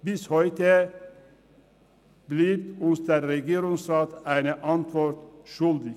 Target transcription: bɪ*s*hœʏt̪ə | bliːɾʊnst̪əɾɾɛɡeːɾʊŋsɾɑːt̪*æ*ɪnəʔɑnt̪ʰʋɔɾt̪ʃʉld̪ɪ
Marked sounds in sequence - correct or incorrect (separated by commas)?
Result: correct, correct